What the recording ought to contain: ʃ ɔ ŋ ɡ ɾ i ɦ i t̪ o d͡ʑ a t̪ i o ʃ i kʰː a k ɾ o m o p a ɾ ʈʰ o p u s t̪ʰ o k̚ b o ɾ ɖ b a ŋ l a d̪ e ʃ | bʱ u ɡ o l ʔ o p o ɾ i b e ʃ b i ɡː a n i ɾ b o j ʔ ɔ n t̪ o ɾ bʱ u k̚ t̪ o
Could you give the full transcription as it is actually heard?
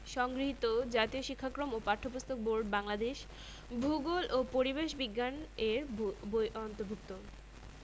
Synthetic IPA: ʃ ɔ ŋ ɡ ɾ i ɦ i t̪ o d͡ʑ a t̪ i o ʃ i kʰː a k ɾ o m o p a ɾ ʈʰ o p u s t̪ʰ o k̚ b o ɾ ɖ b a ŋ l a d̪ e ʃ | bʱ u ɡ o l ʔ o p o ɾ i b e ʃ b i ɡː a n e ɾ b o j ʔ ɔ n t̪ o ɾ bʱ u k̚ t̪ o